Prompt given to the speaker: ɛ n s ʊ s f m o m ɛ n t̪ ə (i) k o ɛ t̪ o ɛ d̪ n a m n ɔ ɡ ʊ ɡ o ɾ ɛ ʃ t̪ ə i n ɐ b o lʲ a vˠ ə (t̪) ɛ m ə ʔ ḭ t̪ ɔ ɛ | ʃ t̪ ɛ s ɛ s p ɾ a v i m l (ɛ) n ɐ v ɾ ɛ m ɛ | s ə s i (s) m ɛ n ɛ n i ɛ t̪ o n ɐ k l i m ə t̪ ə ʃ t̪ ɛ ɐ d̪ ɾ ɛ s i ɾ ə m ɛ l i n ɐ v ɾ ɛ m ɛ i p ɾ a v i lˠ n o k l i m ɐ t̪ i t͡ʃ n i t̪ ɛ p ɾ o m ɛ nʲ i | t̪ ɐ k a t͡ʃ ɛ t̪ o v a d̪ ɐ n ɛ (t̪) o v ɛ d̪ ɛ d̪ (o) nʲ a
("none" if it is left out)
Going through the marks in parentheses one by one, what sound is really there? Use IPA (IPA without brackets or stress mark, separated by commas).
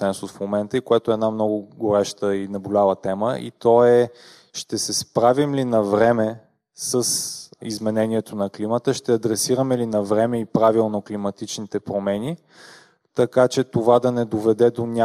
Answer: i, t̪, i, z, d̪, o